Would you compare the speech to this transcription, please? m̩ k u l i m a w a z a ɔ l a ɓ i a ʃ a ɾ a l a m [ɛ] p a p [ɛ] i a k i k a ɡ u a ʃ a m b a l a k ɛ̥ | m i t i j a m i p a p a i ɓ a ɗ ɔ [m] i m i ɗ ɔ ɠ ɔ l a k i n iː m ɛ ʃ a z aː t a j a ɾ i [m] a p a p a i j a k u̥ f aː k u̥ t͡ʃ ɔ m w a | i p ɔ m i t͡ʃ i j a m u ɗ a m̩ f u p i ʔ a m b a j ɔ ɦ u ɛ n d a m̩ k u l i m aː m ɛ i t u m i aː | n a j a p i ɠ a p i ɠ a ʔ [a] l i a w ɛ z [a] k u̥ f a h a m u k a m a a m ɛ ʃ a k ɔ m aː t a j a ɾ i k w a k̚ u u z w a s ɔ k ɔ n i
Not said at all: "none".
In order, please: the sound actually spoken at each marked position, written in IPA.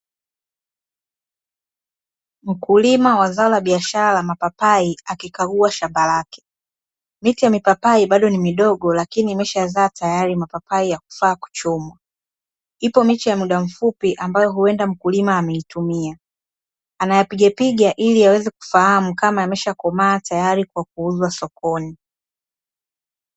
a, a, n, m, i, ɛ

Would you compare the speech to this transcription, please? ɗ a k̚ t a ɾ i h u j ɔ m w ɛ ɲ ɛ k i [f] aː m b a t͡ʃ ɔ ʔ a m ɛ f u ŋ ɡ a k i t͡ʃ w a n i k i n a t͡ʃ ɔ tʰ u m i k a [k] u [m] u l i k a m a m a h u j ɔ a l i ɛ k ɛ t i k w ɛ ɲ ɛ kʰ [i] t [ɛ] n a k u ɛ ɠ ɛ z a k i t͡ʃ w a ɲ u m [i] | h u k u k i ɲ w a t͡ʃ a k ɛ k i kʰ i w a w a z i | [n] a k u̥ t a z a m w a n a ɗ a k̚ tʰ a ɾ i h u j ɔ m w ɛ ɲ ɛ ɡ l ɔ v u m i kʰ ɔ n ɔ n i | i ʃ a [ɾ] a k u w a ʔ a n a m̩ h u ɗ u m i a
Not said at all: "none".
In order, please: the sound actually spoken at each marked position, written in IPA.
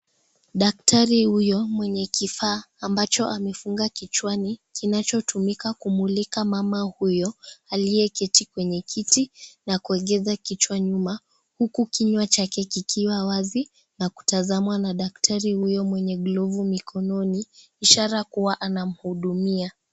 f, k, m, i, i, a, n, ɾ

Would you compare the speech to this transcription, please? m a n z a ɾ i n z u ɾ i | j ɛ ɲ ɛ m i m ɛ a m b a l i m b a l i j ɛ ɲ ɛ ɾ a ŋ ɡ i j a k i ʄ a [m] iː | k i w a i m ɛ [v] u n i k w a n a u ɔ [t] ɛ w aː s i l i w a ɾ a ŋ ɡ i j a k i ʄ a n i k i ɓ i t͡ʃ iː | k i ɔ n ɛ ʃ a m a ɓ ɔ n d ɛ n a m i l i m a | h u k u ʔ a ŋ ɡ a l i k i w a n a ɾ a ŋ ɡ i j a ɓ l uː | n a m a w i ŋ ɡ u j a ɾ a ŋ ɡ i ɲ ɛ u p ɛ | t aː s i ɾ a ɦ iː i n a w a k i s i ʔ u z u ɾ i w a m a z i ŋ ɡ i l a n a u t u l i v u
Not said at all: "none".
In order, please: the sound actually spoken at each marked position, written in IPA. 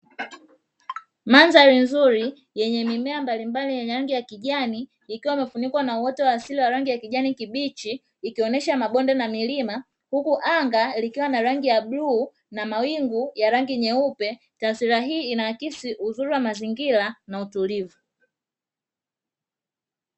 n, f, t

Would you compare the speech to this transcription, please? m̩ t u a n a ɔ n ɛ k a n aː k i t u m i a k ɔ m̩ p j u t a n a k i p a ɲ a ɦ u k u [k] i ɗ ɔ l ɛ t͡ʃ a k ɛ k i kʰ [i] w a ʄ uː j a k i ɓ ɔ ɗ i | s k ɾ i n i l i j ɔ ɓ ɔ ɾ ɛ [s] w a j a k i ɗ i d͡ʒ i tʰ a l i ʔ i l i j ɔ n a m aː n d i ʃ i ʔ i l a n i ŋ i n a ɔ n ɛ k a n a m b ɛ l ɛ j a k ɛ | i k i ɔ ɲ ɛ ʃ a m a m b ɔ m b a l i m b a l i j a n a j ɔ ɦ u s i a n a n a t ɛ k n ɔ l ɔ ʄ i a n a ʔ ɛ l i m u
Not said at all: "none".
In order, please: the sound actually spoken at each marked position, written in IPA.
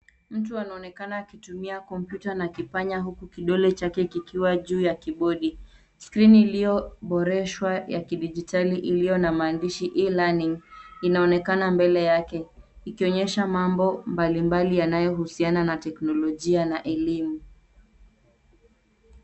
k, i, ʃ

